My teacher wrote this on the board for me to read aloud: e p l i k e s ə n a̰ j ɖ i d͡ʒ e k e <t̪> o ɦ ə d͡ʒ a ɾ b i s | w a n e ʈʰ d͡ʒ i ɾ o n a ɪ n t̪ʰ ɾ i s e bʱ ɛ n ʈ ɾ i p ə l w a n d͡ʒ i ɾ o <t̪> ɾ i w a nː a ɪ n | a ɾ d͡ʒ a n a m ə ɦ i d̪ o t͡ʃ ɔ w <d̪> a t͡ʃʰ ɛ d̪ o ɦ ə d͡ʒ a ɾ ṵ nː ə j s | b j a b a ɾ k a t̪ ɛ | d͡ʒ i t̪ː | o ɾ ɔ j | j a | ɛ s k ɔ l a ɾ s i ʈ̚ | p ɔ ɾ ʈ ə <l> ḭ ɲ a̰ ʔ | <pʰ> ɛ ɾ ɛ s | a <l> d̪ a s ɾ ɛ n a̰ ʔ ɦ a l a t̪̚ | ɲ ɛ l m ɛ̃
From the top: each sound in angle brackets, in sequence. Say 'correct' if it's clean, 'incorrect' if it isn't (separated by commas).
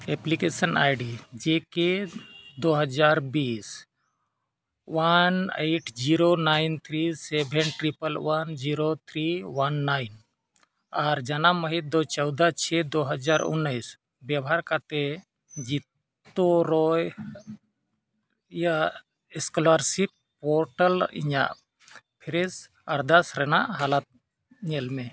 incorrect, incorrect, correct, correct, correct, incorrect